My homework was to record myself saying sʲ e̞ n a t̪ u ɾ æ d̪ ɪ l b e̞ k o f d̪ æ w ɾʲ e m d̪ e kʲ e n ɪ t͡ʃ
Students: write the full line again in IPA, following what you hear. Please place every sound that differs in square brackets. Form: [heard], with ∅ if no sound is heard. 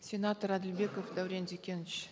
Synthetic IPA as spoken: sʲ e̞ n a t̪ [o] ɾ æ d̪ ɪ l b e̞ k o f d̪ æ w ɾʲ e [n] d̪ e kʲ e n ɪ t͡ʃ